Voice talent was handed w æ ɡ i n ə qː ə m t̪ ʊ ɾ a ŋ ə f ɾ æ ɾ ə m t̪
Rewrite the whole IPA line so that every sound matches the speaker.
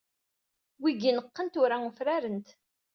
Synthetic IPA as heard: w i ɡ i n ə qː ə n t̪ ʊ ɾ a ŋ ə f ɾ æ ɾ ə n t̪